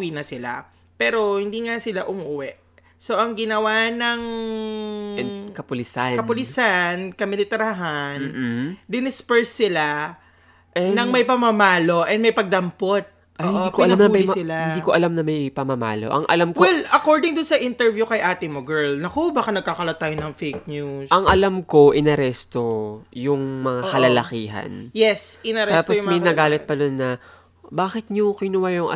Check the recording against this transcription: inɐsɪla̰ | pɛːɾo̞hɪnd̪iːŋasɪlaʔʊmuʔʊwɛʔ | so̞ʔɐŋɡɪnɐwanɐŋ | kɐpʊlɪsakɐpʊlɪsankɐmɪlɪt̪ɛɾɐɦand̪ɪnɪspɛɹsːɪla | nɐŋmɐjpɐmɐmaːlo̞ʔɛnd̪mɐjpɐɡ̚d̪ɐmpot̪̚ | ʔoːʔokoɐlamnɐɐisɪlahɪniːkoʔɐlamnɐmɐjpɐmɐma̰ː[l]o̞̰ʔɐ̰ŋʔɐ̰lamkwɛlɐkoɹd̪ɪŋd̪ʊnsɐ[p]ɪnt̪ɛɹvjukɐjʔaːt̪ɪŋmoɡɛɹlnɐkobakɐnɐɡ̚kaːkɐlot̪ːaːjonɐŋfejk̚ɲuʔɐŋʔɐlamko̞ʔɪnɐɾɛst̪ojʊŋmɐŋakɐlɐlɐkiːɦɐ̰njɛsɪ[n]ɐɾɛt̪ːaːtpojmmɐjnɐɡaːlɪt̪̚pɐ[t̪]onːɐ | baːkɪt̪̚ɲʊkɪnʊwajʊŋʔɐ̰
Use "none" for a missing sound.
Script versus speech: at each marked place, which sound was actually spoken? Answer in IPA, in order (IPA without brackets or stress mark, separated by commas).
l, ʔ, n, d̪